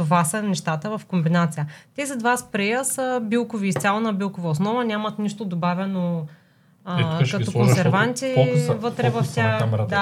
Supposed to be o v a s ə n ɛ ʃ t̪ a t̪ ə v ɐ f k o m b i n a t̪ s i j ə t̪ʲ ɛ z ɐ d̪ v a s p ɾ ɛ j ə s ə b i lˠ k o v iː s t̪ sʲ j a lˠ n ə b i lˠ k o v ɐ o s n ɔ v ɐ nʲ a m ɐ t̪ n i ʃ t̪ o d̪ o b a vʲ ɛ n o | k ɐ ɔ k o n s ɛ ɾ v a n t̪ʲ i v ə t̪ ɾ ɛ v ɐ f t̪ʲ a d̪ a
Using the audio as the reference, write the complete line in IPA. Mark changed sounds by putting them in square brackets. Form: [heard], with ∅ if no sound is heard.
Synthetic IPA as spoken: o v a s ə n ɛ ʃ t̪ a t̪ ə v ɐ f k o m b i n a t̪ s i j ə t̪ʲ ɛ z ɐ d̪ v a s p ɾ ɛ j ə s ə b i lˠ k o v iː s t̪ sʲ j a lˠ n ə b i lˠ k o v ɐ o s n ɔ v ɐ nʲ a m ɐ t̪ n i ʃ t̪ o d̪ o b a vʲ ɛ n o | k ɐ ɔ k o n s ɛ ɾ v a n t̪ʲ i v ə t̪ ɾ ɛ v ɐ f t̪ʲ a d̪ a